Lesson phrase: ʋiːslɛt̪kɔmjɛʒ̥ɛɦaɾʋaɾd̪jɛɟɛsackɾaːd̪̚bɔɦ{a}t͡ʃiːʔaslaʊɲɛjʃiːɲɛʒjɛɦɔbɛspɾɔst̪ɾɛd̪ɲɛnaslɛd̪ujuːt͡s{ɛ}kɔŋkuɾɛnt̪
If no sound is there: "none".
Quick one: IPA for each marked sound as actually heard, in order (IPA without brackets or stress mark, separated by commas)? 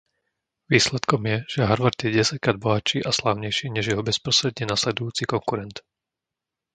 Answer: a, i